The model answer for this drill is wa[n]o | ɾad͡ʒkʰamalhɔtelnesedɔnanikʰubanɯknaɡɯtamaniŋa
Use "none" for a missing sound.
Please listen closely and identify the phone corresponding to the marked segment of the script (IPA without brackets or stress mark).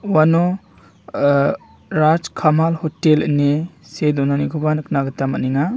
n